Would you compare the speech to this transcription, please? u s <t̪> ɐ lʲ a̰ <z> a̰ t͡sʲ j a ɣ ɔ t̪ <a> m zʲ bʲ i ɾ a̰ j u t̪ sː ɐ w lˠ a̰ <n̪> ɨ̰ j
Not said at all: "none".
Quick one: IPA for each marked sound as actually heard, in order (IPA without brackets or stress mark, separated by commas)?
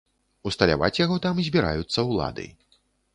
t̪, v, a, d̪